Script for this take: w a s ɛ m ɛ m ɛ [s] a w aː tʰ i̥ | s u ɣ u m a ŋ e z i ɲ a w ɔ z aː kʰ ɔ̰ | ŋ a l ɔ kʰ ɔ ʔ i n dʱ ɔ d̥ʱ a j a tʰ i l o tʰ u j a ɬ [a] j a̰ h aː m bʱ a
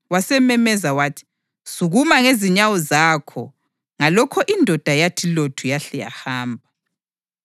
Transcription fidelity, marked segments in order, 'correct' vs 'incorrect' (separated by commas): incorrect, incorrect